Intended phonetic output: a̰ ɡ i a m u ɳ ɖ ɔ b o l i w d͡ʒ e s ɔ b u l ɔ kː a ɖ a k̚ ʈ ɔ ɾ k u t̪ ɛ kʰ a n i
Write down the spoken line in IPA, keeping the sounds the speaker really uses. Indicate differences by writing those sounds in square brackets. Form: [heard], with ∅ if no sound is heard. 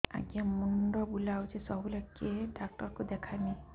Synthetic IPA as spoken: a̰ ɡ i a m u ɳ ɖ ɔ b [u] l [a] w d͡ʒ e s ɔ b u l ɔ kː [e] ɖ a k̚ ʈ ɔ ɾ k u [d̪] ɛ kʰ a n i